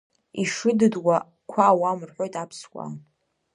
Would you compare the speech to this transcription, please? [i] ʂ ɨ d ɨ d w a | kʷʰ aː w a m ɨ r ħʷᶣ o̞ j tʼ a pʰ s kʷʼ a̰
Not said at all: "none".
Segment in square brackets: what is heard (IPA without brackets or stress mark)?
i